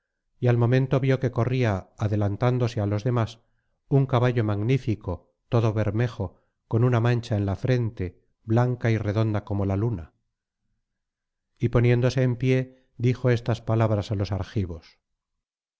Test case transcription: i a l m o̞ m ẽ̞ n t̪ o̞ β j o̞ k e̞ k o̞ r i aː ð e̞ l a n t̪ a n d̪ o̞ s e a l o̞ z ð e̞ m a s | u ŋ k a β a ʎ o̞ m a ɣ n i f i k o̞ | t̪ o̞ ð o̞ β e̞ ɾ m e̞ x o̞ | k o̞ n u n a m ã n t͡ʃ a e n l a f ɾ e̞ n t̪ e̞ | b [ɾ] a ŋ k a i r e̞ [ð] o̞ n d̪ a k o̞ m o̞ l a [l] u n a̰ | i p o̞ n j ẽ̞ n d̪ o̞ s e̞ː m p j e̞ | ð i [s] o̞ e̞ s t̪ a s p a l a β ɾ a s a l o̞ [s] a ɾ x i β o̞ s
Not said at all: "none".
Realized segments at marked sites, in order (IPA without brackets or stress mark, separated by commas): l, ð, l, x, s